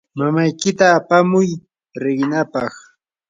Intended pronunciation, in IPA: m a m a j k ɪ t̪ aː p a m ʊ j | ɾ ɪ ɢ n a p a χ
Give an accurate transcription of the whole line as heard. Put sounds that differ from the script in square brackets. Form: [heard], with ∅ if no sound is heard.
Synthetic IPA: m a m a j k ɪ t̪ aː p a m ʊ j | ɾ ɪ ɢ n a p [ɑ] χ